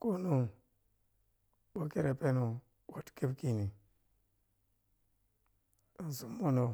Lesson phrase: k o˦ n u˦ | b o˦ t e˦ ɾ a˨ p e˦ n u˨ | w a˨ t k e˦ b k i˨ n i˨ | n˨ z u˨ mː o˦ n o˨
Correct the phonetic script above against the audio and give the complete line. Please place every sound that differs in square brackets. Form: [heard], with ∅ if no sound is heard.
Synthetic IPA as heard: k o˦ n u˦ | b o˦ [k] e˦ ɾ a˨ p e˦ n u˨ | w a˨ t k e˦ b k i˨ n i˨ | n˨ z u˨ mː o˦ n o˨

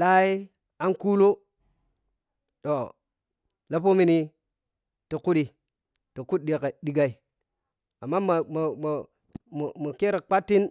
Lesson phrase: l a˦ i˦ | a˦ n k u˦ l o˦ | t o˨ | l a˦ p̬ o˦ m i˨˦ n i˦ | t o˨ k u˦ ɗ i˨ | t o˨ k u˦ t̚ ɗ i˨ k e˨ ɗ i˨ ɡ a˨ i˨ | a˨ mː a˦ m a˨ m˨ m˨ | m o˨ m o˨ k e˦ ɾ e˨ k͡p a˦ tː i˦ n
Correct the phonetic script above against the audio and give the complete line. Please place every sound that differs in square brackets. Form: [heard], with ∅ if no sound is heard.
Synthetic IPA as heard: l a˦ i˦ | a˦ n k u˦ l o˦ | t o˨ | l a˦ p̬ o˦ m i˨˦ n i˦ | t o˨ k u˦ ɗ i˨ | t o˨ k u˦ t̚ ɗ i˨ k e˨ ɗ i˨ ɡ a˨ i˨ | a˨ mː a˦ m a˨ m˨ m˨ | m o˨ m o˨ k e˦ ɾ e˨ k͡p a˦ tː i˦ n

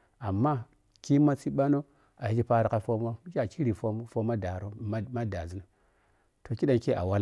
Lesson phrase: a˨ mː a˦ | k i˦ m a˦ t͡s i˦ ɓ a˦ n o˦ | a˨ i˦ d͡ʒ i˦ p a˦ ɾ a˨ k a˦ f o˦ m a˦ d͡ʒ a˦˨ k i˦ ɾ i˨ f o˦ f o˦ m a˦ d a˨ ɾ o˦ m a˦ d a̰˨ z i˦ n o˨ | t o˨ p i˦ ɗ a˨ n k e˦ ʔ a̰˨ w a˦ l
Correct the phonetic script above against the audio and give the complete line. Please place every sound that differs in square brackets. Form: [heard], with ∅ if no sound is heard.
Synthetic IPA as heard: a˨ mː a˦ | k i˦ m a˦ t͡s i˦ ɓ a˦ n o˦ | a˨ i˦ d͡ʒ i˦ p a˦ ɾ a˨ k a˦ f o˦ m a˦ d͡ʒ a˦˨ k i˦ ɾ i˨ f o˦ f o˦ m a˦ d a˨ ɾ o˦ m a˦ d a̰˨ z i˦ n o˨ | t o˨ [k] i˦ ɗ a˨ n k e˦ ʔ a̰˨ w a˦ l

